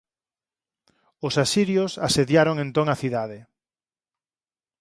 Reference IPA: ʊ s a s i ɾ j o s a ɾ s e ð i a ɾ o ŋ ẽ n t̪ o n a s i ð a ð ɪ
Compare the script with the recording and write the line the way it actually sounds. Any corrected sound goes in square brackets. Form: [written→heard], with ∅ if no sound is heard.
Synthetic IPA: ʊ s a s i ɾ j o s a [ɾ→∅] s e ð [i→j] a ɾ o ŋ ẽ n t̪ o [n→ŋ] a [s→θ] i ð a ð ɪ

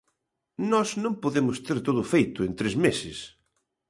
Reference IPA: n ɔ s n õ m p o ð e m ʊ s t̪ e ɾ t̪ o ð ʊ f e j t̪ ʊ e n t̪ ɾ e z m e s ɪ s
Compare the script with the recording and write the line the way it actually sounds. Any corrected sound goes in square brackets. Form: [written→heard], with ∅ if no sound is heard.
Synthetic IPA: n ɔ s n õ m p o ð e m ʊ s t̪ e ɾ t̪ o ð ʊ f e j t̪ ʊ e n t̪ ɾ e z m e s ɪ s

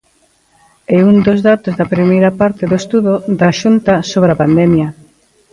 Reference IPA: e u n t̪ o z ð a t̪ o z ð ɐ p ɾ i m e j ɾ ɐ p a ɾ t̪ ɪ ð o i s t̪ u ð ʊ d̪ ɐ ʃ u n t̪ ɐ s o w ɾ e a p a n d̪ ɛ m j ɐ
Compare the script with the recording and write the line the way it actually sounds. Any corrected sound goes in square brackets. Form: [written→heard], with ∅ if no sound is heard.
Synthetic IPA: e u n [t̪→d̪] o z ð a t̪ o z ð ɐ p ɾ i m e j ɾ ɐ p a ɾ t̪ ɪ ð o [i→e] s t̪ u ð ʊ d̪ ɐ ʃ u n t̪ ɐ s o [w→β] ɾ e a p a n d̪ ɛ m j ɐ

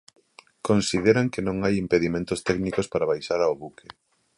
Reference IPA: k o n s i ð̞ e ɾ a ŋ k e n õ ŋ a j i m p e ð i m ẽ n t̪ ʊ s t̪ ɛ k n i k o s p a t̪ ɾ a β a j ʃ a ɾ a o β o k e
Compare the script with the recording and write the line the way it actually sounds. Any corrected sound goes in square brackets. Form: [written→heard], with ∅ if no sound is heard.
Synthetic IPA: k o n s i ð̞ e ɾ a ŋ k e n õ ŋ a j i m p e ð i m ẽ n t̪ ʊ s t̪ ɛ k n i k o s p a [t̪→∅] ɾ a β a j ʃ a ɾ a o β [o→u] k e

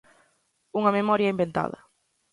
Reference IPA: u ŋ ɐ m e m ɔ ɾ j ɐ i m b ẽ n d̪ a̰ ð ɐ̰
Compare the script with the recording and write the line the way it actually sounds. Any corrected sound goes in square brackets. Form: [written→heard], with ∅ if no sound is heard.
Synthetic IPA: u ŋ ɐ m e m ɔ ɾ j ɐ i m b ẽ n [d̪→t̪] a̰ ð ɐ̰

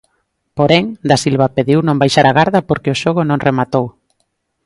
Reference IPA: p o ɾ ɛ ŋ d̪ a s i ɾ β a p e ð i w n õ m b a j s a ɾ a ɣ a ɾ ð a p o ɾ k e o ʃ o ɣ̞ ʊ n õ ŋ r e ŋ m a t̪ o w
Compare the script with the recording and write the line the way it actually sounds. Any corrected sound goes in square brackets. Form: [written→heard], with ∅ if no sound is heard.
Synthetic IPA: p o ɾ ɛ ŋ d̪ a s i [ɾ→l] β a p e ð i w n õ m b a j [s→ʃ] a ɾ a ɣ a ɾ ð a p o ɾ k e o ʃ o ɣ̞ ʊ n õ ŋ r e [ŋ→∅] m a t̪ o w

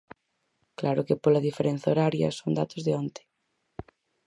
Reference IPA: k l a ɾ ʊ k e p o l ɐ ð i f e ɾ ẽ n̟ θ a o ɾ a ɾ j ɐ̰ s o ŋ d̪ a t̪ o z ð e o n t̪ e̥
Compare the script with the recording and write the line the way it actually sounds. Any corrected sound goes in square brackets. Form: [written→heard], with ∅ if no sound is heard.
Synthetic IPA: k l a ɾ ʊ k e p o l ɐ ð i f e ɾ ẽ n̟ θ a o ɾ a ɾ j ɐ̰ s o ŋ d̪ a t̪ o z ð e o n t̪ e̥

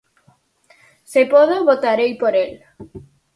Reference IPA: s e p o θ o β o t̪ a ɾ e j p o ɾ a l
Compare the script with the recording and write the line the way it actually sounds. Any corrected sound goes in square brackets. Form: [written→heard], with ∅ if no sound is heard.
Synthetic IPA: s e p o [θ→ð] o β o t̪ a ɾ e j p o ɾ [a→e] l

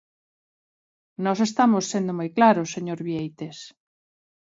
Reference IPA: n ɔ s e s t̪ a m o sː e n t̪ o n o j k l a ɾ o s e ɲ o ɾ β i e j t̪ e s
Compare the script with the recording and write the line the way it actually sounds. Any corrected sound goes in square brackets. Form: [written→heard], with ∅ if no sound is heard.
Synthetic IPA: n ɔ s e s t̪ a m o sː e n [t̪→d̪] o [n→m] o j k l a ɾ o s e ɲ o ɾ β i e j t̪ e s

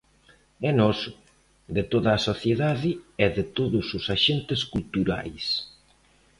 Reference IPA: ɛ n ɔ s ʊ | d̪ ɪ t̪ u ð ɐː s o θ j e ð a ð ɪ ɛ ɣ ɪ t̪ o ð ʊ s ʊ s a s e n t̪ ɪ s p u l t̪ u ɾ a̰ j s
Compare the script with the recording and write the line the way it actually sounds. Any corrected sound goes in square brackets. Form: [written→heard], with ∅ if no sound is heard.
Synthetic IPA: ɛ n ɔ s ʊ | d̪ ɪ t̪ [u→o] ð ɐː s o θ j e ð a ð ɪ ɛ [ɣ→ð] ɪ t̪ o ð ʊ s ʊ s a [s→ʃ] e n t̪ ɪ s [p→k] u l t̪ u ɾ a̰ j s

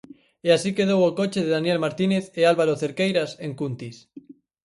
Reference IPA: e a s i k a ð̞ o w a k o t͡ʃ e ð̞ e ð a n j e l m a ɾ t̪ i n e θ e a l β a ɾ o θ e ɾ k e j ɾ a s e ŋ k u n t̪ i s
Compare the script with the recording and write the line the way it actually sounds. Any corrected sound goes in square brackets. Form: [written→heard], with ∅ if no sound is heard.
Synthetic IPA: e a s i k [a→e] ð̞ o w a k o t͡ʃ e ð̞ e ð a n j e l m a ɾ t̪ i n e θ e a l β a ɾ o θ e ɾ k e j ɾ a s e ŋ k u n t̪ i s

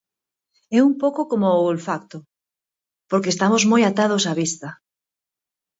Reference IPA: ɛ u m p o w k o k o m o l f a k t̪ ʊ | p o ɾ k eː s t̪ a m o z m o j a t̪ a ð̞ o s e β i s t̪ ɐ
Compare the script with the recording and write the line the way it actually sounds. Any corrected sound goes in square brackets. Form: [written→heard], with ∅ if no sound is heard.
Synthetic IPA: ɛ u m p o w k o k o m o l f a k t̪ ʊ | p o ɾ k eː s t̪ a m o z m o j a t̪ a ð̞ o s [e→a] β i s t̪ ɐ

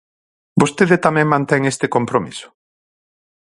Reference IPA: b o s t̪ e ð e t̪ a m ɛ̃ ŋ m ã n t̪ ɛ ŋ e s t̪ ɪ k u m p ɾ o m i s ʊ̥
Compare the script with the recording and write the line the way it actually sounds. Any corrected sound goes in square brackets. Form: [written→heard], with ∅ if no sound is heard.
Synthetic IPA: b o s t̪ e ð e t̪ a m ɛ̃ ŋ m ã n t̪ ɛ ŋ e s t̪ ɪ k [u→o] m p ɾ o m i s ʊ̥

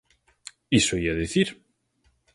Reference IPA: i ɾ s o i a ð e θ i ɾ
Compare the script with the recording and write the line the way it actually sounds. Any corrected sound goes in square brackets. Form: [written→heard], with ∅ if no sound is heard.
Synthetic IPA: i [ɾ→∅] s o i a ð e θ i ɾ

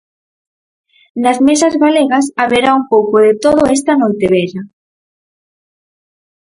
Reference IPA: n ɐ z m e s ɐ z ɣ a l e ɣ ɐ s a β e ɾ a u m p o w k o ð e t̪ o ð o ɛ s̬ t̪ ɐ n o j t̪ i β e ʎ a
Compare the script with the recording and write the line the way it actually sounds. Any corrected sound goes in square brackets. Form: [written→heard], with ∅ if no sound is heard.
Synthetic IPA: n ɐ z m e s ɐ z ɣ a l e ɣ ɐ s a β e ɾ a u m p o w k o ð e t̪ o ð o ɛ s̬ t̪ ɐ n o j t̪ [i→e] β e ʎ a

